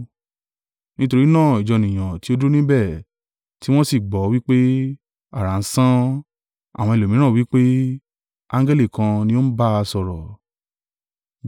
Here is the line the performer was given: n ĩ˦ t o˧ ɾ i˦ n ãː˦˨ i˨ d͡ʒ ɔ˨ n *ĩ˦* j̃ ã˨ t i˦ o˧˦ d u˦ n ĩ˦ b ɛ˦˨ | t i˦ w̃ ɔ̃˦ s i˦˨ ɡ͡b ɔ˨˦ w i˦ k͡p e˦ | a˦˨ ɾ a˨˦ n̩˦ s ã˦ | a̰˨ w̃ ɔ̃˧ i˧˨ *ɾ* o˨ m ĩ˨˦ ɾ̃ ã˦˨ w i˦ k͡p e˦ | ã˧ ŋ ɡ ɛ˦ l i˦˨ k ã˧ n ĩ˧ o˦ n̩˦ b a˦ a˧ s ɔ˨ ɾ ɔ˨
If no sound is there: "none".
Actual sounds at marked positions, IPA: ĩ˨, l

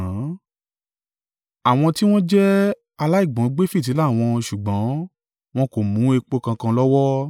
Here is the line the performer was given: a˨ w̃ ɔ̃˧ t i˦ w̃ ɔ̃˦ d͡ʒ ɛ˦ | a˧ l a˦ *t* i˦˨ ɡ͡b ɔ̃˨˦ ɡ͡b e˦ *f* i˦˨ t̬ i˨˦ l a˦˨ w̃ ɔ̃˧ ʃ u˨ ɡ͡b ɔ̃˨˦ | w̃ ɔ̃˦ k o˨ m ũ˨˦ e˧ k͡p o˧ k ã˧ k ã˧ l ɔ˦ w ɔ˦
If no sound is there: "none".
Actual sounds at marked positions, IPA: none, f

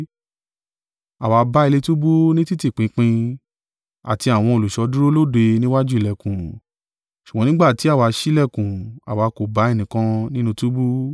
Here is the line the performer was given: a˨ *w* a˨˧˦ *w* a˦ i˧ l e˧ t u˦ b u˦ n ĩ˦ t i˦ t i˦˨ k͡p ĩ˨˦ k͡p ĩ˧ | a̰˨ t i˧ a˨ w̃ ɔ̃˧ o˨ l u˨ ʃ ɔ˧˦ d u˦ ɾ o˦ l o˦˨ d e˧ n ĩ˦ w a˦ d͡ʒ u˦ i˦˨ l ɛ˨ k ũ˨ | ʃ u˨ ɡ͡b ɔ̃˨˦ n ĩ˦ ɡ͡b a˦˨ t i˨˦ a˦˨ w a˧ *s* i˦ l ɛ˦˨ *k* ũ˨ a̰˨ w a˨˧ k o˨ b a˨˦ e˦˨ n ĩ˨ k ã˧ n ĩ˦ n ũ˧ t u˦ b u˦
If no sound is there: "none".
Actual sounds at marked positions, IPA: w, b, ʃ, k

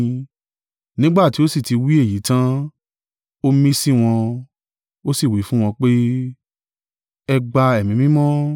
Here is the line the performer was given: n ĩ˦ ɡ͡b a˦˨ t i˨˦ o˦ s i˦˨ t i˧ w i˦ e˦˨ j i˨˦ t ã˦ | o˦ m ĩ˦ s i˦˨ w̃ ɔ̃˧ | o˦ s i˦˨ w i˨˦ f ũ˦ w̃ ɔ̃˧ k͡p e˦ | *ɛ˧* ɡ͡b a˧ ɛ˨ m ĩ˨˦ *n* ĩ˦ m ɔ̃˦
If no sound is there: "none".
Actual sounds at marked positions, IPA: ɛ˧, m

